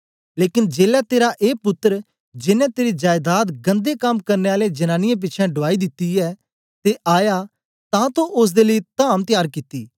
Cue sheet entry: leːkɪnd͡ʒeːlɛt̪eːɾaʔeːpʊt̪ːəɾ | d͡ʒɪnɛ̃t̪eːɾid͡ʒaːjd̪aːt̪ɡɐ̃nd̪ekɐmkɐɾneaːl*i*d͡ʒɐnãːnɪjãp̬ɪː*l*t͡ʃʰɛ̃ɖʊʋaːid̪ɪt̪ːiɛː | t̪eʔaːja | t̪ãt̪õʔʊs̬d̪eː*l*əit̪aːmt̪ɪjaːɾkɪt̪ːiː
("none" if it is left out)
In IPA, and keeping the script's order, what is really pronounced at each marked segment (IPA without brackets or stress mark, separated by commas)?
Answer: e, none, l